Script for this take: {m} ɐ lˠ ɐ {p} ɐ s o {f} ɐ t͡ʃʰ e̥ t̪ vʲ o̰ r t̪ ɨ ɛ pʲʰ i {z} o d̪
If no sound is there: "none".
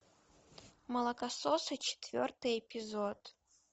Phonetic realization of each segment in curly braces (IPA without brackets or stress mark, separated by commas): m, k, s, z